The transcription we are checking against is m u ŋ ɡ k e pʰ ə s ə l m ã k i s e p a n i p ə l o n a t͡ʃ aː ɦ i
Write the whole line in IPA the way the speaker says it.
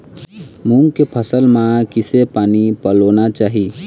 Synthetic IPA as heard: m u ŋ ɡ k e pʰ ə s ə l m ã k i s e p a n i p ə l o n a t͡ʃ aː ɦ i